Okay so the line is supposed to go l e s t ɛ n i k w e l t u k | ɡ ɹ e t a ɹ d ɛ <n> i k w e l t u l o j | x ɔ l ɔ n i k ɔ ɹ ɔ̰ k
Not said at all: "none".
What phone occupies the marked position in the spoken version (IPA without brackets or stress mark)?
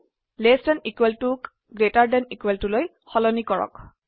n